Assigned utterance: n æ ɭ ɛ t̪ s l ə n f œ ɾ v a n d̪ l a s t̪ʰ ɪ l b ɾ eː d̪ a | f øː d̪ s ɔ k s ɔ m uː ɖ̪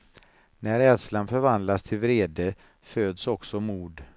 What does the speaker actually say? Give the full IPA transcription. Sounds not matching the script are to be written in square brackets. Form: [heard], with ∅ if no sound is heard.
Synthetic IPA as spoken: n æ [ɾ] ɛ [d̪] s l [a] n f œ ɾ v a n d̪ l a s t̪ʰ ɪ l [v] ɾ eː d̪ [ə] | f øː d̪ s ɔ k s ɔ m uː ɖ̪